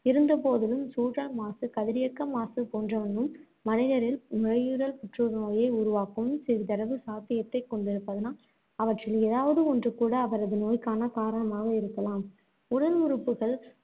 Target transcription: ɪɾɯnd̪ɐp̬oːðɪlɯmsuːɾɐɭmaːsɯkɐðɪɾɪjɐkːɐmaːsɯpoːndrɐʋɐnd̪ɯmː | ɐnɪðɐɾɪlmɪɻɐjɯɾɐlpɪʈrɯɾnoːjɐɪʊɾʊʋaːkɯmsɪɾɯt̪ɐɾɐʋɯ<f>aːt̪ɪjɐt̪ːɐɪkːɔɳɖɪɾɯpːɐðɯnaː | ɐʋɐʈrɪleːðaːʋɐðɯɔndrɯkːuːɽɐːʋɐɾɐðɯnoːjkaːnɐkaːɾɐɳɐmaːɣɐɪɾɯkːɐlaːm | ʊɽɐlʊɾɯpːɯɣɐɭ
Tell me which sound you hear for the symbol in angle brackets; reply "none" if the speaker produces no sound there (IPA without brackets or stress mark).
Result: s